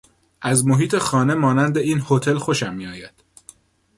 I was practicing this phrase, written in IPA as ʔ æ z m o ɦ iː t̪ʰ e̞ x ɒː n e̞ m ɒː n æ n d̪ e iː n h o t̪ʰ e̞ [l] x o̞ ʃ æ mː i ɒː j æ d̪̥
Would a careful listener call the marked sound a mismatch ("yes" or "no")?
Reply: no